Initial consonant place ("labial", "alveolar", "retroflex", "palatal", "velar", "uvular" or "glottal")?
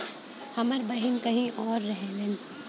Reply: glottal